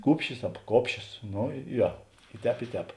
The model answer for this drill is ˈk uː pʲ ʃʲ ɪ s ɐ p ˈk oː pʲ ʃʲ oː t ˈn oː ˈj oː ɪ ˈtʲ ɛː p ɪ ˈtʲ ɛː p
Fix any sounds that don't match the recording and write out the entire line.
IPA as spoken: ˈk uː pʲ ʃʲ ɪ s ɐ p ˈk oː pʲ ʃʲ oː s ˈn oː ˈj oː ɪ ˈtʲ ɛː p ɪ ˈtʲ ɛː p